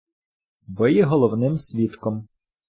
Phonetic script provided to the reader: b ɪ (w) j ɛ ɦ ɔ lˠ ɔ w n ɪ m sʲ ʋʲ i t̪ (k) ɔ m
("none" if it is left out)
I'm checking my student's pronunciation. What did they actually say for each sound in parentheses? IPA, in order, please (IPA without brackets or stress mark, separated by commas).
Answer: none, k